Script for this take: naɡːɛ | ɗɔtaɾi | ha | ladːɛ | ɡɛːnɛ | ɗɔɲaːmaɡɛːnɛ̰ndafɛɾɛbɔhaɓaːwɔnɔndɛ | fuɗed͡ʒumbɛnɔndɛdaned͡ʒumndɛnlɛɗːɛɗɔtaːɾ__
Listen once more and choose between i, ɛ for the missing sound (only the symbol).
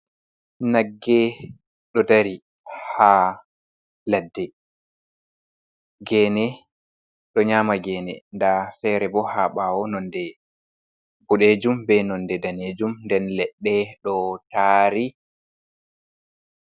i